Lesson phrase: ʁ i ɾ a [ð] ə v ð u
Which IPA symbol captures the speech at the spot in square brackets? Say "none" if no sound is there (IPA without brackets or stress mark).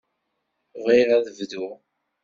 ð